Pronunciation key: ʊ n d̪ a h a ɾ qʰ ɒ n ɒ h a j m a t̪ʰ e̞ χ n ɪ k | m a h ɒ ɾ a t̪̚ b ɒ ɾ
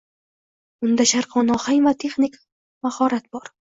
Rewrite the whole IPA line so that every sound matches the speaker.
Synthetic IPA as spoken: ʊ n d̪ a ʃ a ɾ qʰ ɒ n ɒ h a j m a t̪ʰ e̞ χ n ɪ k | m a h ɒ ɾ a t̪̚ b ɒ ɾ